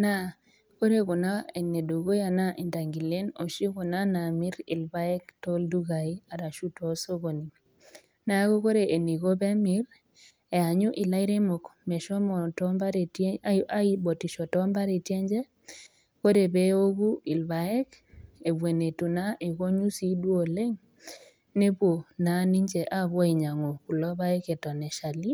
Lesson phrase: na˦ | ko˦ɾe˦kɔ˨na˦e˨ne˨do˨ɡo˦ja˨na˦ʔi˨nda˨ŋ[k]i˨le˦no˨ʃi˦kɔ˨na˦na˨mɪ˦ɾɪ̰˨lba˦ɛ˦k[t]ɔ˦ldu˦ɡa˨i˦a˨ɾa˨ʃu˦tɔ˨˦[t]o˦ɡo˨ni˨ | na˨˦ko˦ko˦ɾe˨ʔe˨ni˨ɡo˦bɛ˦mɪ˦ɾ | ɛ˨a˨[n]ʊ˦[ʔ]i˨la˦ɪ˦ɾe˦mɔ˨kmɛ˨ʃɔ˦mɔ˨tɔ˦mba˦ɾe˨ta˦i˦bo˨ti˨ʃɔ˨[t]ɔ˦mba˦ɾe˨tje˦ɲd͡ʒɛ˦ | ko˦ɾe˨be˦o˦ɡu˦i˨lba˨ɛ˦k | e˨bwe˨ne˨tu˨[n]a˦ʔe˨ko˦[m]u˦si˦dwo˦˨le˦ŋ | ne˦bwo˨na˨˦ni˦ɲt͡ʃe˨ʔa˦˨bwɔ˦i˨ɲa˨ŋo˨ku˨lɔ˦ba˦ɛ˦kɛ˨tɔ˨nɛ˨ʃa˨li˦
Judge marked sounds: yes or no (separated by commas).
no, yes, no, no, yes, yes, yes, no